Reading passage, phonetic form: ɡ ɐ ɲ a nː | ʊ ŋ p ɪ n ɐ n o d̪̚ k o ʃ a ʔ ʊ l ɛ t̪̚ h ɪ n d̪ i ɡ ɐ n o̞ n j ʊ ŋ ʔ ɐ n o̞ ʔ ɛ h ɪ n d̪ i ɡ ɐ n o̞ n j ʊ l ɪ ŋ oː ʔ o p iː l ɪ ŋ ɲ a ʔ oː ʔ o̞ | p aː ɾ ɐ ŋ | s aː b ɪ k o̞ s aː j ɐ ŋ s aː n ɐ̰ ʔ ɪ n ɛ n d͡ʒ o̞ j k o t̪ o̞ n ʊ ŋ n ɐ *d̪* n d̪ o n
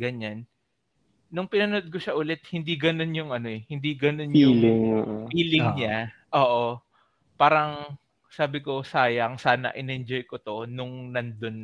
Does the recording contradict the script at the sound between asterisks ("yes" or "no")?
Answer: yes